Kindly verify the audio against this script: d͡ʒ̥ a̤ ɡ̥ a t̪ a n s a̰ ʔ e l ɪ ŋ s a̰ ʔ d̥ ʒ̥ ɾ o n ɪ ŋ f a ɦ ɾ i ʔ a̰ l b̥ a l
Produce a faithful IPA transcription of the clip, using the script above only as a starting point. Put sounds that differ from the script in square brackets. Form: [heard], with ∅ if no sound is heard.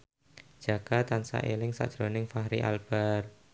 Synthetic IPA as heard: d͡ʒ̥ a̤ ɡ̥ a t̪ a n s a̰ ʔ e l ɪ ŋ s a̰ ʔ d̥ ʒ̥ ɾ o n ɪ ŋ f a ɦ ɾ i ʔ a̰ l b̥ a [r]

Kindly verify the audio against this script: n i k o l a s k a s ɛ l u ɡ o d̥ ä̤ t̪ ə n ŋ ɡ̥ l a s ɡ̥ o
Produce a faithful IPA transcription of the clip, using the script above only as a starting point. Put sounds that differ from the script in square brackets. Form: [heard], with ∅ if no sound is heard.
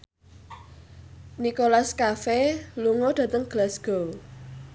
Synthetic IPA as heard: n i k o l a s k a [f] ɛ l u [ŋ] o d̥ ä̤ t̪ ə [∅] ŋ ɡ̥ l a s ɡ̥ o

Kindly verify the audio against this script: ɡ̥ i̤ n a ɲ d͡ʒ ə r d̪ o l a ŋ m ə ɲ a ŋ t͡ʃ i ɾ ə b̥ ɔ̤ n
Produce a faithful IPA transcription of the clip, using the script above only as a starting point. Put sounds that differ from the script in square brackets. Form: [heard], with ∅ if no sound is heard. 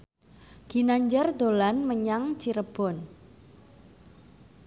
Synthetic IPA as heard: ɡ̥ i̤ n a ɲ d͡ʒ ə r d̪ o l a [n] m ə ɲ a ŋ t͡ʃ i ɾ ə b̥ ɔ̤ n

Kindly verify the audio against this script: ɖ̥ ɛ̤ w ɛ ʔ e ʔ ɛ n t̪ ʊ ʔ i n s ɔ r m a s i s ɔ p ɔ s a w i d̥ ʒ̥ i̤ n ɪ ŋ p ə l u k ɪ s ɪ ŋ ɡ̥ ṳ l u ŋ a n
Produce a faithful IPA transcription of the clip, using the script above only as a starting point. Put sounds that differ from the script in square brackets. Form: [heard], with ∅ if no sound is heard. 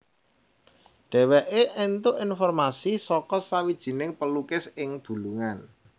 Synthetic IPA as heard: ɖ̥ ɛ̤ w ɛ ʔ e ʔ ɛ n t̪ ʊ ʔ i n [f] ɔ r m a s i s ɔ [k] ɔ s a w i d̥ ʒ̥ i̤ n ɪ ŋ p ə l u k ɪ s ɪ ŋ [b̥] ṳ l u ŋ a n

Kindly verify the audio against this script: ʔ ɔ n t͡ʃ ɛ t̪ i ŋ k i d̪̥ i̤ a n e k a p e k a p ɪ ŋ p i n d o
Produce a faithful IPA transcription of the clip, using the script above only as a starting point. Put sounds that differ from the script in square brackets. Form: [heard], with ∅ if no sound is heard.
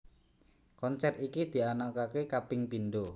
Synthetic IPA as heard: [k] ɔ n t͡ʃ ɛ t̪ i [∅] k i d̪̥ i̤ a n [a] k a [k] e k a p ɪ ŋ p i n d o

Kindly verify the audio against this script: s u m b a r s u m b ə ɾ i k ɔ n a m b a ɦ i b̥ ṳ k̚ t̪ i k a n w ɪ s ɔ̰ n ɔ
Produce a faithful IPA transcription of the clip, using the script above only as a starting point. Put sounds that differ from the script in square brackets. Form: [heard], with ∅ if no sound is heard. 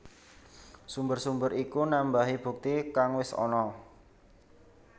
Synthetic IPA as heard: s u m b [ə] r s u m b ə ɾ i k [u] n a m b a ɦ i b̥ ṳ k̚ t̪ i k a [ŋ] w ɪ s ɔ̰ n ɔ

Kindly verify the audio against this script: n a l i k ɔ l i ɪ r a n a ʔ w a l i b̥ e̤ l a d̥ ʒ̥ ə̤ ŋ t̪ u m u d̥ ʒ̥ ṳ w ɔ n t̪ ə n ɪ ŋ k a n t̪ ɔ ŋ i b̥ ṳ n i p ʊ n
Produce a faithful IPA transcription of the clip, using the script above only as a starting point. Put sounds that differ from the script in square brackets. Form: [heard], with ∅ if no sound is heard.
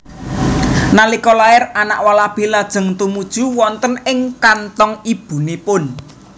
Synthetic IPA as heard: n a l i k ɔ l [a] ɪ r a n a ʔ w a l [a] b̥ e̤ l a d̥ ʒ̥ ə̤ ŋ t̪ u m u d̥ ʒ̥ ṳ w ɔ n t̪ ə n ɪ ŋ k a n t̪ ɔ ŋ i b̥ ṳ n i p ʊ n

